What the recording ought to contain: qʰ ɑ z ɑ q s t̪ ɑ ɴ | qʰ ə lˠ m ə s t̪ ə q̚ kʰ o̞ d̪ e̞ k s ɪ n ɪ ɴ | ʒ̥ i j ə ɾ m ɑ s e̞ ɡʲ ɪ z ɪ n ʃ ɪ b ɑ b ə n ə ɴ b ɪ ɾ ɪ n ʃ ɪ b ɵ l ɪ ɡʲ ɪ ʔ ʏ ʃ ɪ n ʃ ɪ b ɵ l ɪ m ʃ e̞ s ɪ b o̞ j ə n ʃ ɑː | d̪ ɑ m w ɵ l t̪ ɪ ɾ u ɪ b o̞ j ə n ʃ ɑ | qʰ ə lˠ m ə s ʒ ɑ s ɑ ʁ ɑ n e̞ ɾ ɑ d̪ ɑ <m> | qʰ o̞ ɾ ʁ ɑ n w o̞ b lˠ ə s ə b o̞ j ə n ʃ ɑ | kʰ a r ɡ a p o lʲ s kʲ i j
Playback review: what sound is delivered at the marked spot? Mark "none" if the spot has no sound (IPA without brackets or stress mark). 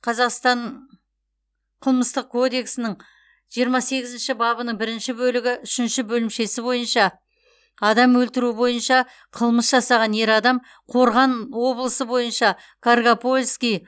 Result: m